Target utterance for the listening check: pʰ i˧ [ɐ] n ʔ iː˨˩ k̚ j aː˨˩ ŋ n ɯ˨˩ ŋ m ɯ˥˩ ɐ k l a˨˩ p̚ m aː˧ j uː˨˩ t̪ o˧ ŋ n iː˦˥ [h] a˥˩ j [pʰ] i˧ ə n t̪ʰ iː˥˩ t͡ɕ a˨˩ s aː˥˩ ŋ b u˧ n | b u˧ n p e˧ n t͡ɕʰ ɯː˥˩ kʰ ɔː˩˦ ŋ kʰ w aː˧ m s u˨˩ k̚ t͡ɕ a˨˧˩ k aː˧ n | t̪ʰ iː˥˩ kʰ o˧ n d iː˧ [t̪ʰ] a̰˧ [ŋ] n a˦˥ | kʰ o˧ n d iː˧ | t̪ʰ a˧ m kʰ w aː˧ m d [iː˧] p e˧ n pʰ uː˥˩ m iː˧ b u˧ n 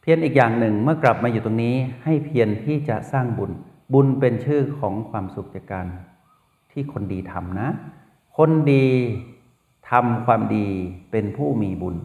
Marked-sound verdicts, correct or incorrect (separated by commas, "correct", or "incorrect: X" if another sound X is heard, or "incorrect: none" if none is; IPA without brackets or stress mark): incorrect: ə, correct, correct, correct, incorrect: m, correct